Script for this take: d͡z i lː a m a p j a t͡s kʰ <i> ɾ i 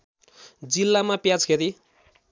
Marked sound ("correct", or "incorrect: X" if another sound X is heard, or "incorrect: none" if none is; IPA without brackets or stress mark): incorrect: e